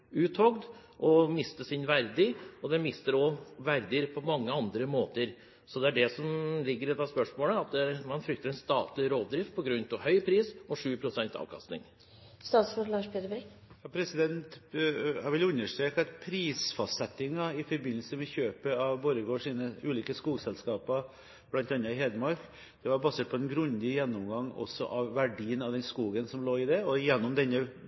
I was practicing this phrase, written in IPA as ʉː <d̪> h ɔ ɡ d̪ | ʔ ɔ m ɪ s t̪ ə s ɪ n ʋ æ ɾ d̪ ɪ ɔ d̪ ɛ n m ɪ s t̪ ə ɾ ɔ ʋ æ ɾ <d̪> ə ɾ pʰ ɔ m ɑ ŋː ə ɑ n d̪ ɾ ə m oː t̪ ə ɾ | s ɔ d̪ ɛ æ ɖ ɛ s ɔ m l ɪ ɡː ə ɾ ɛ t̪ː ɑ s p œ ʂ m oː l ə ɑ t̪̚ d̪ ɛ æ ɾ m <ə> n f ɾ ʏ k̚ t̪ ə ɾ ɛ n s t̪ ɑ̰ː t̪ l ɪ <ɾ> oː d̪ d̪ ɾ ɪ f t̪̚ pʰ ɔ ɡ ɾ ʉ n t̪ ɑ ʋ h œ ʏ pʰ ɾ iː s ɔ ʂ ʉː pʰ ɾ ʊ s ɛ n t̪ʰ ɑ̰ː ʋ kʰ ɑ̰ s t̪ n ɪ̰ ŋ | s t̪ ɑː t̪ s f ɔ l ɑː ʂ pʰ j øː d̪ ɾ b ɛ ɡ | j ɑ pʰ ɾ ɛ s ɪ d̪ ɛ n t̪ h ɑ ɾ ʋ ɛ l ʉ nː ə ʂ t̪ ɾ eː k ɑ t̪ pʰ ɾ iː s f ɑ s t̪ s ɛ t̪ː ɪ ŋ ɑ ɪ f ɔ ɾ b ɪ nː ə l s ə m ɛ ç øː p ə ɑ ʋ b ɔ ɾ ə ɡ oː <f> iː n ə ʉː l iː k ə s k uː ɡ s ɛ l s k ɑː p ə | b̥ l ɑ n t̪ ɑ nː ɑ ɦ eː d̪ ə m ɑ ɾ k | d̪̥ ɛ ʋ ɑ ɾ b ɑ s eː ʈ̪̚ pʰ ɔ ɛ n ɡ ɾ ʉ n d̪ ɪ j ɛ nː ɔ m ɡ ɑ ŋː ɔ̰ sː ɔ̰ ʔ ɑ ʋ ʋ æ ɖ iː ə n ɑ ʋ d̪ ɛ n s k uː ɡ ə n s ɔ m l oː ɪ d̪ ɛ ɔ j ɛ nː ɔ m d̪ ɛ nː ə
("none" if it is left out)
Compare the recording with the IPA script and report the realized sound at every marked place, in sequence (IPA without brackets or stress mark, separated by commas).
t̪, d̪, ɑ, ɾ, ʂ